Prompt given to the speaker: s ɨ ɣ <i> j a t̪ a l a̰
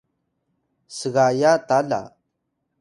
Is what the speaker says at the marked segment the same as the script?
no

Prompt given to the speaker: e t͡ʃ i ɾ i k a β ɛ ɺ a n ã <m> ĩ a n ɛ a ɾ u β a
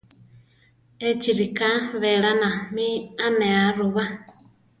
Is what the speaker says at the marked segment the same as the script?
yes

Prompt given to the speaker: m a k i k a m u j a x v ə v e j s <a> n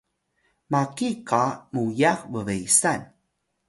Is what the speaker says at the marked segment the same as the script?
yes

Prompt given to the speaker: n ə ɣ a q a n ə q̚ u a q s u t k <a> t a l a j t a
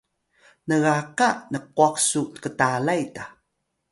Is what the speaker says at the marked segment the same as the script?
no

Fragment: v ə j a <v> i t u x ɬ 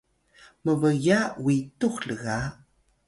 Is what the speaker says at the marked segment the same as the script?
no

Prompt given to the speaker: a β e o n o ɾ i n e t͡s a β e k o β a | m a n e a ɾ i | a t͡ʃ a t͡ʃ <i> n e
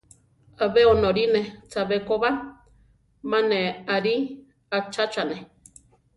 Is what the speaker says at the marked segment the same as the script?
no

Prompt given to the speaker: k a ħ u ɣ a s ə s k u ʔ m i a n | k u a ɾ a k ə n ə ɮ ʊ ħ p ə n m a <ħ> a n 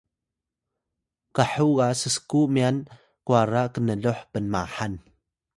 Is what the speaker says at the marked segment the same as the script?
yes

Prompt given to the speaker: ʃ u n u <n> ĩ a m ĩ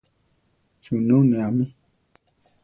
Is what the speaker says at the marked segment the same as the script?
yes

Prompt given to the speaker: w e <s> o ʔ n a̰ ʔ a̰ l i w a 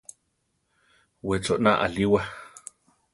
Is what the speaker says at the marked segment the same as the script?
no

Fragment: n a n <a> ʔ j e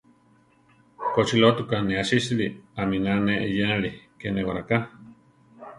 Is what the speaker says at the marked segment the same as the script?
no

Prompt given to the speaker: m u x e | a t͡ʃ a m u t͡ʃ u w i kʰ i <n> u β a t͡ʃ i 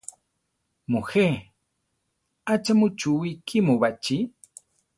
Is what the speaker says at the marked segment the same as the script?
no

